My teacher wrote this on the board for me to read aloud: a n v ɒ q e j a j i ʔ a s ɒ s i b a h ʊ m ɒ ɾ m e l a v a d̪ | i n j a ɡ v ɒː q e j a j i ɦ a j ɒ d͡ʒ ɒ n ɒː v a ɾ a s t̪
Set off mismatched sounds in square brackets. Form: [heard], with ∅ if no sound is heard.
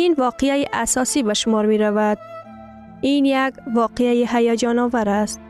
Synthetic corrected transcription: [i] n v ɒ q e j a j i ʔ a s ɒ s i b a [ʃ] ʊ m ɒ ɾ m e [ɾ] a v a d̪ | i n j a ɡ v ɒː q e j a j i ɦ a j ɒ d͡ʒ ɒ n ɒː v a ɾ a s t̪